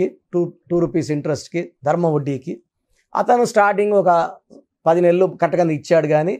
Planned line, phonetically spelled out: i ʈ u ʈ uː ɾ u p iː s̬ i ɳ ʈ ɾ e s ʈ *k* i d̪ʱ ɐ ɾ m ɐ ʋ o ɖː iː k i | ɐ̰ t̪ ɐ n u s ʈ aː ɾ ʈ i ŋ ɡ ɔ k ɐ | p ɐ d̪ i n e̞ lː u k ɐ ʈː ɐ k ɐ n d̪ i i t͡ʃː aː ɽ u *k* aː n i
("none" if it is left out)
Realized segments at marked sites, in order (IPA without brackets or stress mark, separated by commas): k, ɡ